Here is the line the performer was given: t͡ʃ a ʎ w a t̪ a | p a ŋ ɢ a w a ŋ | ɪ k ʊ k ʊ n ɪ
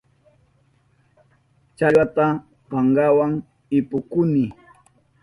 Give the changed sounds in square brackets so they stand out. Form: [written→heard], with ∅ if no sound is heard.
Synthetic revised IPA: t͡ʃ a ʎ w a t̪ a | p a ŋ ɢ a w a ŋ | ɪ [k→p] ʊ k ʊ n ɪ